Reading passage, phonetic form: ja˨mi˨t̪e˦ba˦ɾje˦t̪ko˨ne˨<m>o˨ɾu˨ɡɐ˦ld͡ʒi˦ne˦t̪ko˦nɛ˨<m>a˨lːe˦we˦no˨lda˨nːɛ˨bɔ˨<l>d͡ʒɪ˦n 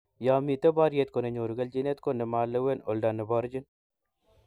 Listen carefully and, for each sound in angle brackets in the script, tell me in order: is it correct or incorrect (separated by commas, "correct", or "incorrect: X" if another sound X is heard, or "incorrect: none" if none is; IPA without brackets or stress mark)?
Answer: incorrect: ɲ, correct, incorrect: ɾ